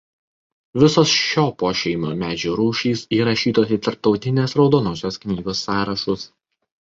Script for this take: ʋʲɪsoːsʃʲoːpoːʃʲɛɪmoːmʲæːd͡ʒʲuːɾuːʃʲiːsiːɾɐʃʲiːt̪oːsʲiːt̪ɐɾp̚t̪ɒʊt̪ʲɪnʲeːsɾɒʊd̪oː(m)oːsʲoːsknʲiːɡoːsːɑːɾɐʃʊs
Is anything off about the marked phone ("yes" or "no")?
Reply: yes